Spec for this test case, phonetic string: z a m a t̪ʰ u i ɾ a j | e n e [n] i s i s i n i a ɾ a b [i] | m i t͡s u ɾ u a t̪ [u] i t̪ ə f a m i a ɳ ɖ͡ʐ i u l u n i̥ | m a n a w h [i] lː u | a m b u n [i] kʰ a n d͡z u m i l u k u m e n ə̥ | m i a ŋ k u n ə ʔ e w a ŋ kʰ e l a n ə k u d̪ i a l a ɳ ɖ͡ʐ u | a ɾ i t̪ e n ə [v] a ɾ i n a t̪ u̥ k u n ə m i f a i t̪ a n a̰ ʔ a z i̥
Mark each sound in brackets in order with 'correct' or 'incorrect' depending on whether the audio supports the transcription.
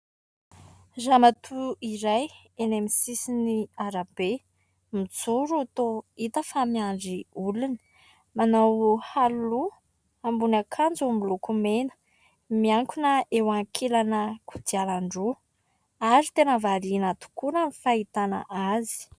incorrect: m, incorrect: e, incorrect: o, incorrect: a, incorrect: a, correct

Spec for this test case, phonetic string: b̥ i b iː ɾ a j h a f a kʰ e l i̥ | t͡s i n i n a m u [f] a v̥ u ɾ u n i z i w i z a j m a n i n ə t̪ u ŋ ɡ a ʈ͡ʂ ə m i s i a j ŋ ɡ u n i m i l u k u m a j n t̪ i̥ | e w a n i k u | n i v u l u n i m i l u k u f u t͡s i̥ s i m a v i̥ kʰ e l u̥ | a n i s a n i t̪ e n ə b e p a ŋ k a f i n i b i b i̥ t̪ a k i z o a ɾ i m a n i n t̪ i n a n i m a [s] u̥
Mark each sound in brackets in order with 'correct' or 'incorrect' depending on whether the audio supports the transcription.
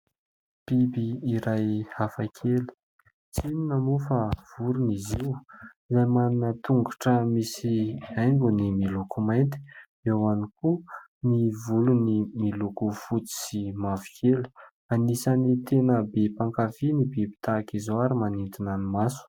correct, correct

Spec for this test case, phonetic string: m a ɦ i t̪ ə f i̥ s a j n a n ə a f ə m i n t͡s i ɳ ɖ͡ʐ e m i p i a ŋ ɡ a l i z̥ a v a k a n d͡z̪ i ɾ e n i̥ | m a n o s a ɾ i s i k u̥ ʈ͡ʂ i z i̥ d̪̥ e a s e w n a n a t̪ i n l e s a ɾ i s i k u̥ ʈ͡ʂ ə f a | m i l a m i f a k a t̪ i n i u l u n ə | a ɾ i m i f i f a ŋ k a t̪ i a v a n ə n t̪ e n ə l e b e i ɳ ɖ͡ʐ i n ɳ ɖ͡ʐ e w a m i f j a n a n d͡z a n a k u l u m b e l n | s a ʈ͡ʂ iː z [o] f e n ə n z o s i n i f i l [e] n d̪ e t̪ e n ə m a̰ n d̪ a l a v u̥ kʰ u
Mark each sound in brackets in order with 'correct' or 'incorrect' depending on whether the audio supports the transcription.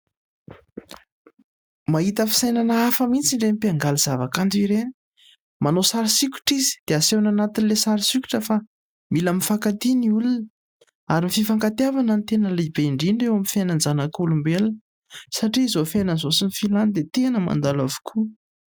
correct, incorrect: a

